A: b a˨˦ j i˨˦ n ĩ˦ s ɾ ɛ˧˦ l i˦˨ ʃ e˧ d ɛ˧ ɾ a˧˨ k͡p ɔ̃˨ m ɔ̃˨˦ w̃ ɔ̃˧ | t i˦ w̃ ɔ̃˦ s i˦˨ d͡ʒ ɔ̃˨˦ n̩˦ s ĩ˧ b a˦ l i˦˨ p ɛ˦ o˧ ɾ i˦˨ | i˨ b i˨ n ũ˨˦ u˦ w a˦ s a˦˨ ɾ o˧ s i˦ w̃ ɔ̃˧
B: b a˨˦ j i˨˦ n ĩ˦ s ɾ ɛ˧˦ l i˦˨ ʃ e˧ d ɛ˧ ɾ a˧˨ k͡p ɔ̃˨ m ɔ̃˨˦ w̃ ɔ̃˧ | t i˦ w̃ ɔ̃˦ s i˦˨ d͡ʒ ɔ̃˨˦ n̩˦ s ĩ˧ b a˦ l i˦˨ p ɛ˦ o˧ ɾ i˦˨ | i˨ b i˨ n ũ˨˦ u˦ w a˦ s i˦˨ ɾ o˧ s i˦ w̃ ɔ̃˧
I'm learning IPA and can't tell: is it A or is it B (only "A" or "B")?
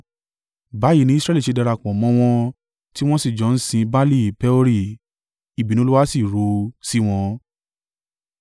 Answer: B